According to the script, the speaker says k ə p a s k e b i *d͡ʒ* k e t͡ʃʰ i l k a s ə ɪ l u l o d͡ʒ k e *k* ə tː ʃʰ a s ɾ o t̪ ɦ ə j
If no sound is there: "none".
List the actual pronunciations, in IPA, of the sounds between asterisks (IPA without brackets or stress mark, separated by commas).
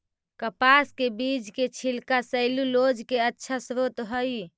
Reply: d͡ʒ, none